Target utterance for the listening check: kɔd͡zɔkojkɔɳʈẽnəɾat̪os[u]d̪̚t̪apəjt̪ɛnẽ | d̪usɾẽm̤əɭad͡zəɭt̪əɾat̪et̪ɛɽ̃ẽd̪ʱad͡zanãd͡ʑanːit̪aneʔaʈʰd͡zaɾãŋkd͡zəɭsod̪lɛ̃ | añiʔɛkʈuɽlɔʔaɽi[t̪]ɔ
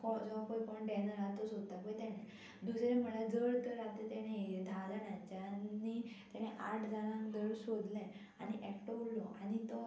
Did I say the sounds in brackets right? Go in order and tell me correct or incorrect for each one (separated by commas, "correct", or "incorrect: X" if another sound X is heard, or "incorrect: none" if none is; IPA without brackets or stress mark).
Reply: incorrect: o, correct